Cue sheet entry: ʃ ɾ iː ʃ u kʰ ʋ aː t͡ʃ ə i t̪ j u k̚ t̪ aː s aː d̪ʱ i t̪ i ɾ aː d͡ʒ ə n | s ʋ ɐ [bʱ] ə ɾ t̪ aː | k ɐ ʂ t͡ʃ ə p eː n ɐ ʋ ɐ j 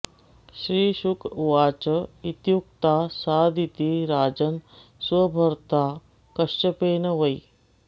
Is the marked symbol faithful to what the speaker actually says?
yes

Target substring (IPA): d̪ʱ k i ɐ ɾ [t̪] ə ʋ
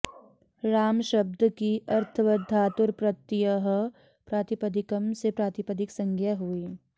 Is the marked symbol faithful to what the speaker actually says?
no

